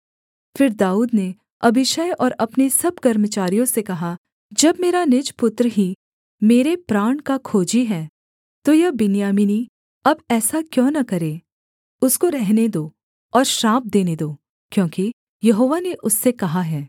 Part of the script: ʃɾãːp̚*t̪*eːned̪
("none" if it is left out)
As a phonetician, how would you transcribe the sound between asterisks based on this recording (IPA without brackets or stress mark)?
d̪